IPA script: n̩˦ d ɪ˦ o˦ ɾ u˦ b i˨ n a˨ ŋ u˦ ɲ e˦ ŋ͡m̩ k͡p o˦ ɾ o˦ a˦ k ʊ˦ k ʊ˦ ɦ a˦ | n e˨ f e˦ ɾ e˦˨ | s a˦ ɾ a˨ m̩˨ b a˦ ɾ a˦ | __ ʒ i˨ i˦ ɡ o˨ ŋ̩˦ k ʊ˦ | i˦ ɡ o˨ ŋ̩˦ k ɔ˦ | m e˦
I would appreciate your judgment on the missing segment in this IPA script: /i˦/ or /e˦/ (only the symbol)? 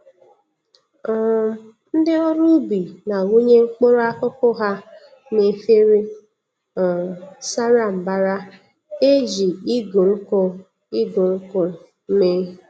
e˦